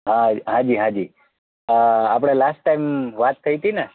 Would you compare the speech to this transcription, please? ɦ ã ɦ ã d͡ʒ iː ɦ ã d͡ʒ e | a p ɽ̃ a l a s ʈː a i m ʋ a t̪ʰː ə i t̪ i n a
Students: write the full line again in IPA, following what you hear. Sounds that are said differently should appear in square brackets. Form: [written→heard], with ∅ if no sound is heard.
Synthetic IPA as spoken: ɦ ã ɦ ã d͡ʒ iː ɦ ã d͡ʒ [e→i] | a p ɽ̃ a l a s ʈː a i m ʋ a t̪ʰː ə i t̪ i n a